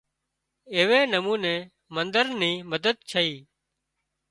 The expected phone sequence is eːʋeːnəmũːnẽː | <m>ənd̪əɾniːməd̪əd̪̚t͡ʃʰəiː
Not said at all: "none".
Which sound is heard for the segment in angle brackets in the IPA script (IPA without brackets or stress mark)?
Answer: m